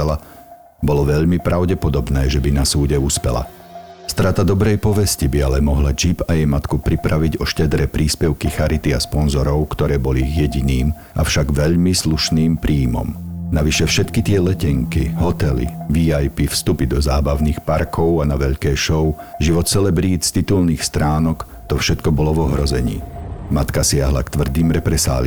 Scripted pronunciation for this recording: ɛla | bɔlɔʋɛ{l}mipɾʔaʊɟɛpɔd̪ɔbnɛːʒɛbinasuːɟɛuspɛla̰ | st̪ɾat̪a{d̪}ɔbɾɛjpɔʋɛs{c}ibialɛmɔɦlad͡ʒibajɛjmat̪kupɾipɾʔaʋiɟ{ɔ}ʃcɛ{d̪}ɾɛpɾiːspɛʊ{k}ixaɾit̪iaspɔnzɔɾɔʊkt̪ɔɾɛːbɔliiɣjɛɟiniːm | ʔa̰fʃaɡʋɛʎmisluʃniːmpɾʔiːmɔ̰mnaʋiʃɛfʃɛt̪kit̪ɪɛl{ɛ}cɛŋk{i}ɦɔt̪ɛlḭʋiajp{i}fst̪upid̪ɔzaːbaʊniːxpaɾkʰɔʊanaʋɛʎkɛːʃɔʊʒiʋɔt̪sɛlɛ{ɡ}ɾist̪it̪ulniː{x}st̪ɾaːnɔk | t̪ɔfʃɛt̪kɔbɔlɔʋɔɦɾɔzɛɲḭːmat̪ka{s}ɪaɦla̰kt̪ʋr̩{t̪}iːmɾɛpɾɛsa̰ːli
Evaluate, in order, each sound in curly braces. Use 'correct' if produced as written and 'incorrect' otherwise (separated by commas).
incorrect, correct, correct, correct, correct, correct, correct, correct, correct, incorrect, correct, correct, incorrect